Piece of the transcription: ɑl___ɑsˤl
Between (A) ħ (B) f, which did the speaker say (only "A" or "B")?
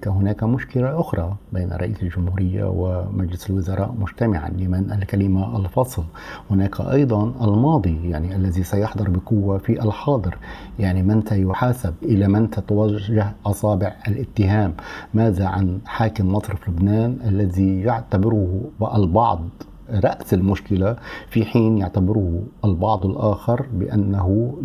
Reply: B